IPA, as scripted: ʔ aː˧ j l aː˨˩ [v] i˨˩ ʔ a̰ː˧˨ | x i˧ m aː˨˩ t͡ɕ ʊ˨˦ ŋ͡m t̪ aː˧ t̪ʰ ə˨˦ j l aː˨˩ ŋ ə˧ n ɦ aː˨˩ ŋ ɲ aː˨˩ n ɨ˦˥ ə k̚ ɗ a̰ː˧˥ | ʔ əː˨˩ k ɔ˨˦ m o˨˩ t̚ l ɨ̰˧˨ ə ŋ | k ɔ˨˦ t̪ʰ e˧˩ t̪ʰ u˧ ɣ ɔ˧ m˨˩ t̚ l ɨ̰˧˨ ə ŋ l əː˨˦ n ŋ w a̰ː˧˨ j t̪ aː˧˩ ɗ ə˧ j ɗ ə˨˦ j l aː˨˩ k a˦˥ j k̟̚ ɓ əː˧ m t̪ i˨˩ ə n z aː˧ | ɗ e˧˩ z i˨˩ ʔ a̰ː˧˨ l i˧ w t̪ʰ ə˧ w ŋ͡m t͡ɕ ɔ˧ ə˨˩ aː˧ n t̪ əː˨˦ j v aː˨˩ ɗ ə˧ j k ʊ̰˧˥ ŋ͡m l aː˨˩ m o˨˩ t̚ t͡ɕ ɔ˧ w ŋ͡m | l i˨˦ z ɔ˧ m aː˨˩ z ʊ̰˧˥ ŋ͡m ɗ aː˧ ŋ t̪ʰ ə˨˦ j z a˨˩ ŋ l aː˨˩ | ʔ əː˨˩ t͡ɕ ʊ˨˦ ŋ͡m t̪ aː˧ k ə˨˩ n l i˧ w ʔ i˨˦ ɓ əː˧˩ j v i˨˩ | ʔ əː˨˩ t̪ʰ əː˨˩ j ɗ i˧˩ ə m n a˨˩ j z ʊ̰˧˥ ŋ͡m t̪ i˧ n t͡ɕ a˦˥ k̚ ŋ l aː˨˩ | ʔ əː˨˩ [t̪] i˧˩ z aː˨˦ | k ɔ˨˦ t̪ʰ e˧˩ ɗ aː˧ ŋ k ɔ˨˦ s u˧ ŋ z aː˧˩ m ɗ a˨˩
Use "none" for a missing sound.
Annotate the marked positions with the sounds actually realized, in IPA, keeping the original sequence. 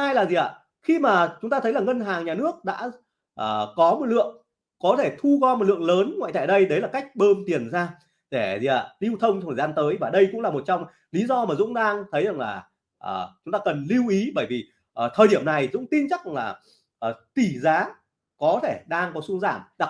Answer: z, t̪

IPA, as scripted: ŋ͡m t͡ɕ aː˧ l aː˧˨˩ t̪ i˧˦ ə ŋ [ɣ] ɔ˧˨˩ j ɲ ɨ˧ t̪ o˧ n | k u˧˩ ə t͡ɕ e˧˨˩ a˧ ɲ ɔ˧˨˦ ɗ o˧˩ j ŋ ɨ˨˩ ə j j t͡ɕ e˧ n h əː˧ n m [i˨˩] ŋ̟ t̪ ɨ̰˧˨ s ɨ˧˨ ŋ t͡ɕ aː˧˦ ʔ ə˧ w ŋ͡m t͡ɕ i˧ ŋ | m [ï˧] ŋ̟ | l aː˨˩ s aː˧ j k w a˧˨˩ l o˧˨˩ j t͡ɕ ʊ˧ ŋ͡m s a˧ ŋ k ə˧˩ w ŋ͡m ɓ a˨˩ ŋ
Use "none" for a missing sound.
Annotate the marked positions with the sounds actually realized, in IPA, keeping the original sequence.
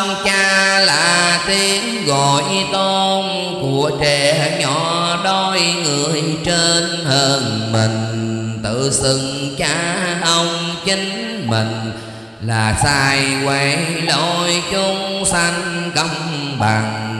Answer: ɣ, i˨˩, ï˨˩

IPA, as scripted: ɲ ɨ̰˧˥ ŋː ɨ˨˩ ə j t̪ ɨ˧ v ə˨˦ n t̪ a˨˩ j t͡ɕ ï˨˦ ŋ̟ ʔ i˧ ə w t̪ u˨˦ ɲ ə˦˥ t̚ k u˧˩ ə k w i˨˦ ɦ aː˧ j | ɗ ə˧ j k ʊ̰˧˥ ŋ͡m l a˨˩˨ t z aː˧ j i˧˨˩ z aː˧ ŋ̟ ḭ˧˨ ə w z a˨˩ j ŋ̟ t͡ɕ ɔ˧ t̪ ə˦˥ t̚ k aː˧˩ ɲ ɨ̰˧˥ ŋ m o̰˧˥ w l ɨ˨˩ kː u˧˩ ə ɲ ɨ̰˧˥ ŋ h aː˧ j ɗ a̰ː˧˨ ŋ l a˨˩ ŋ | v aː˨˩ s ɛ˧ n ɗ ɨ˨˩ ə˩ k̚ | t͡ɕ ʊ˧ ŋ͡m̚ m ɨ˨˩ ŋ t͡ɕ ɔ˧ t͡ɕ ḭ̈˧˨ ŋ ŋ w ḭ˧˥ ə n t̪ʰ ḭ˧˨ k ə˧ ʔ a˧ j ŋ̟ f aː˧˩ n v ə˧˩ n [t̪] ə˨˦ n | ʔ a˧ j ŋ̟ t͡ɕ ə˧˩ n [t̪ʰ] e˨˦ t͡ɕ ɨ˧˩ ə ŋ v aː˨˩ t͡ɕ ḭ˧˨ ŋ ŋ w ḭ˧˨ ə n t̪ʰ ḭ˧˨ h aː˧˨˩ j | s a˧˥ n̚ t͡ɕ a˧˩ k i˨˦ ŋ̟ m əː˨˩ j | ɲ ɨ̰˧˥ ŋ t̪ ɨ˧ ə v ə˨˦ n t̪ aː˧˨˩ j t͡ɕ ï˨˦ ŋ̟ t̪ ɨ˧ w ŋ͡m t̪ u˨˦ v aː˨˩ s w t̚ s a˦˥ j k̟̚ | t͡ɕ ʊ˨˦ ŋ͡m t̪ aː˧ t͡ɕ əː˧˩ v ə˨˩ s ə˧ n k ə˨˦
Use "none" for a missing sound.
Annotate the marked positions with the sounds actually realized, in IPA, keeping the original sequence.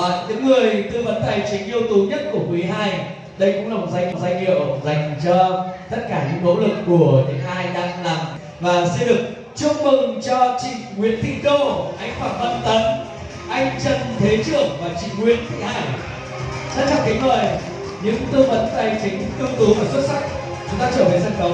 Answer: t̪, t̪ʰ

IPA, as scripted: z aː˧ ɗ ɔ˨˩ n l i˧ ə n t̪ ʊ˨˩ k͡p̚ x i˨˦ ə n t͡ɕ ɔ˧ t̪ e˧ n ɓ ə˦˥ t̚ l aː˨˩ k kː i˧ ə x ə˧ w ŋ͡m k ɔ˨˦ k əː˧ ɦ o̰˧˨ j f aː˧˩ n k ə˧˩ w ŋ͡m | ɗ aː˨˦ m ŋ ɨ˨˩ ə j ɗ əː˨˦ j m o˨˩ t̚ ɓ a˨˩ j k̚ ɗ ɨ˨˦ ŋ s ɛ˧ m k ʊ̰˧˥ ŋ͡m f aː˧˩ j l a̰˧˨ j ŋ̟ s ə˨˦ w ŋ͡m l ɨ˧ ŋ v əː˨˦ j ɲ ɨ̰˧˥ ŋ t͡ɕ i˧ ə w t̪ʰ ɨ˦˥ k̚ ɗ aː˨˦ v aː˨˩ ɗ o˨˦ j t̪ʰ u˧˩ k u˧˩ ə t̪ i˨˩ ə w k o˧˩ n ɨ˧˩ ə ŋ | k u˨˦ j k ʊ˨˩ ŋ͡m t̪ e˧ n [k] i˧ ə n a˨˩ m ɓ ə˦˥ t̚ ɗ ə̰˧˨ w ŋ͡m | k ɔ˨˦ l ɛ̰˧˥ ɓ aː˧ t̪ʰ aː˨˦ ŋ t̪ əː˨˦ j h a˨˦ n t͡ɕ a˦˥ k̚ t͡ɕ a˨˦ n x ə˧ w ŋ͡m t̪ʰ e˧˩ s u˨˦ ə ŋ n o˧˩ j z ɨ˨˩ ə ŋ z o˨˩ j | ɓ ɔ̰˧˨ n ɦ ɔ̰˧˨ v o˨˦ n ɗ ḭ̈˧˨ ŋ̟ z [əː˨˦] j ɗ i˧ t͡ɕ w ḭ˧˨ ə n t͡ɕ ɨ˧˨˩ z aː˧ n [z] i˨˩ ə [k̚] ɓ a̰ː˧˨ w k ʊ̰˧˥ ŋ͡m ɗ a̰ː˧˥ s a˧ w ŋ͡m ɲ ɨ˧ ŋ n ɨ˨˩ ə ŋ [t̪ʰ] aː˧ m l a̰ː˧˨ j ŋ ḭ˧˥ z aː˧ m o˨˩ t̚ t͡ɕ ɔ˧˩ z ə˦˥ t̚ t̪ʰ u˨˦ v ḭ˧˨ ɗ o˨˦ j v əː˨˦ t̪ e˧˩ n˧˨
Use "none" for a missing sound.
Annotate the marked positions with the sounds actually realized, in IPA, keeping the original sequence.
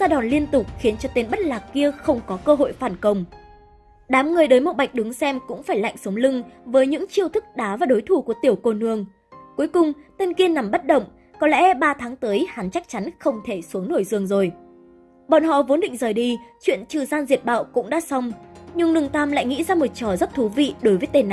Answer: k, əː˨˩, z, t̚, t̪

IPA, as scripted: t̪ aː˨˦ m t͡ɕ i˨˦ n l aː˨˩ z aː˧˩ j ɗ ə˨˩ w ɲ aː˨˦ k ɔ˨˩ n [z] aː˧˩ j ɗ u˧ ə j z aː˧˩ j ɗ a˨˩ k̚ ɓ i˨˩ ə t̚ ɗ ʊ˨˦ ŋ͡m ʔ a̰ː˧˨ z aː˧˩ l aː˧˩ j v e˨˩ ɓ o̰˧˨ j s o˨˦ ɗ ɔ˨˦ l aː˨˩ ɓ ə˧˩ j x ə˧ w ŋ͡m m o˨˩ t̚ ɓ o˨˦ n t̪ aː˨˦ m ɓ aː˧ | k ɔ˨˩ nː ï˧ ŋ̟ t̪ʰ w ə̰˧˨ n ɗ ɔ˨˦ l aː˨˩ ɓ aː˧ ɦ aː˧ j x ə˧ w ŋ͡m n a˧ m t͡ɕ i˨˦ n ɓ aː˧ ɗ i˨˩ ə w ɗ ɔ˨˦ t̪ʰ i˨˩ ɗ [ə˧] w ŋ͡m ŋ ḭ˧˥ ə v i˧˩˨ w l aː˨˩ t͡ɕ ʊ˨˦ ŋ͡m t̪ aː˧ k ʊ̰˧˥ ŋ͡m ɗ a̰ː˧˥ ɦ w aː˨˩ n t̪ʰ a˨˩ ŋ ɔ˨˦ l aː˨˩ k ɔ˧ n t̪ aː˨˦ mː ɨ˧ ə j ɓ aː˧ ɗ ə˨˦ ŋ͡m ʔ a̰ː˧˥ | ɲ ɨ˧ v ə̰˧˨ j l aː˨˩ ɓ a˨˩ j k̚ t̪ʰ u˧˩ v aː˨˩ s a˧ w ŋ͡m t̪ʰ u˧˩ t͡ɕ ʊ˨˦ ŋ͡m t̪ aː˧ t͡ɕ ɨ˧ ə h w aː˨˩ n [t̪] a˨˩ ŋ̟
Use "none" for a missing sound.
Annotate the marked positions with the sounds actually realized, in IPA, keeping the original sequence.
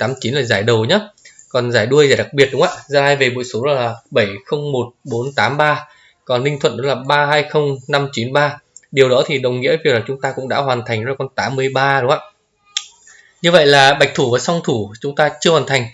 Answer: z, ə˨˩, t̪ʰ

